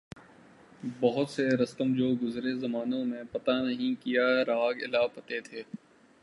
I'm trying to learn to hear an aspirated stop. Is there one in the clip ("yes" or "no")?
yes